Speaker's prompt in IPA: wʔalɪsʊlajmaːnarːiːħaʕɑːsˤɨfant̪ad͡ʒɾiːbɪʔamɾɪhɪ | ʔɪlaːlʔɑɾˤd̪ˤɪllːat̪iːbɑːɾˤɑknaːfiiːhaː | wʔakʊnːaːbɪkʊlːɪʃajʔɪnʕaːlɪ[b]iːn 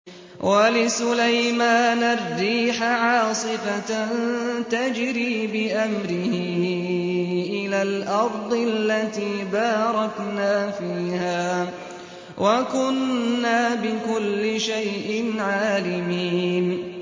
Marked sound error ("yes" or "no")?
yes